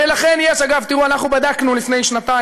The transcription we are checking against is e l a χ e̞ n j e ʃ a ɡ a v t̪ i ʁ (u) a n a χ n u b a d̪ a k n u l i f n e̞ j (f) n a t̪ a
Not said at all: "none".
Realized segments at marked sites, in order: u, ʃ

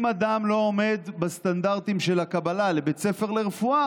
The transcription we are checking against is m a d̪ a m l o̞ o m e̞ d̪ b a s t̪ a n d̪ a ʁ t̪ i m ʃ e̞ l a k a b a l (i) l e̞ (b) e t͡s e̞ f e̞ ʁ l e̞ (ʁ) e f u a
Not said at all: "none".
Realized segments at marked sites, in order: a, b, ʁ

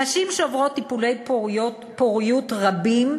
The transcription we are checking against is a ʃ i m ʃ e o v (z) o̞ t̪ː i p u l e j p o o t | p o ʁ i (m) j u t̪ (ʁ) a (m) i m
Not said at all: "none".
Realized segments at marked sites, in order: ʁ, none, ʁ, b

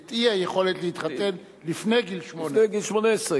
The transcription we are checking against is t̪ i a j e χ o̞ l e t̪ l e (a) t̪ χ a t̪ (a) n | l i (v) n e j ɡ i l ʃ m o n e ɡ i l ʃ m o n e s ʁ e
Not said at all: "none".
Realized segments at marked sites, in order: i, e, f

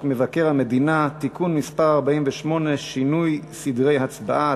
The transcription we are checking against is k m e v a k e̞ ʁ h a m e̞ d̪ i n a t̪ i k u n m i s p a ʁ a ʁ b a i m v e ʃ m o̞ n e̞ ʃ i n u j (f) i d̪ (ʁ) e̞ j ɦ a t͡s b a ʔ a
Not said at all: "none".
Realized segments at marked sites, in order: s, ʁ

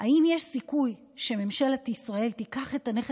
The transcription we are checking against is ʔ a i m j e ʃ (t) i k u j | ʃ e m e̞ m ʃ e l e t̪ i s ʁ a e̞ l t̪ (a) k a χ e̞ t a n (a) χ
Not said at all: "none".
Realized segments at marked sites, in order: s, i, e

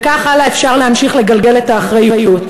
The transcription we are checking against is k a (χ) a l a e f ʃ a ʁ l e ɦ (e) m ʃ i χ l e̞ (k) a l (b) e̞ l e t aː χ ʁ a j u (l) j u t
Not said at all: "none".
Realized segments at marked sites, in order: χ, a, ɡ, ɡ, none

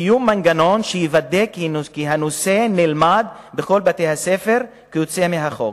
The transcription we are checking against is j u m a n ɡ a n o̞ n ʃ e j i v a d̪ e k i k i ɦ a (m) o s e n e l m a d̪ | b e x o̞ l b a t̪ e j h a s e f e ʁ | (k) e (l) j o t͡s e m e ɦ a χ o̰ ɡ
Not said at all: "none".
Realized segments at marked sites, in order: n, k, none

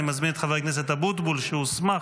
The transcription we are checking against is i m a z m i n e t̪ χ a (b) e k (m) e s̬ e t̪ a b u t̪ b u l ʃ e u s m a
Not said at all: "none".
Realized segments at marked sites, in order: v, n

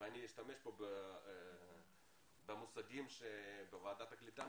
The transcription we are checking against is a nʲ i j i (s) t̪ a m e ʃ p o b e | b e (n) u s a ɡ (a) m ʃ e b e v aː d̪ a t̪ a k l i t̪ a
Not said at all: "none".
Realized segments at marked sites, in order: ʃ, m, i

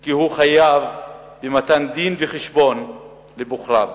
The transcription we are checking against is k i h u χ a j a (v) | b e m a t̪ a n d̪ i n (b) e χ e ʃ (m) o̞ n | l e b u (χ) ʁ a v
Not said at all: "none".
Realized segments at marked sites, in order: v, v, b, χ

